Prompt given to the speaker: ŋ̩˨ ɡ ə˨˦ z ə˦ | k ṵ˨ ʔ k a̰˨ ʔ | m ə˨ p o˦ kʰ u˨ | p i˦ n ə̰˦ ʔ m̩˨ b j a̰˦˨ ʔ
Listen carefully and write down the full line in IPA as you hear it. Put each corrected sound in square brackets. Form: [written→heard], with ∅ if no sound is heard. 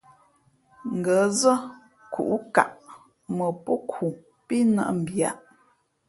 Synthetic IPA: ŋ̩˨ ɡ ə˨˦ z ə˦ | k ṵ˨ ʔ k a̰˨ ʔ | m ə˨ p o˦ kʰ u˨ | p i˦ n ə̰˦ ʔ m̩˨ b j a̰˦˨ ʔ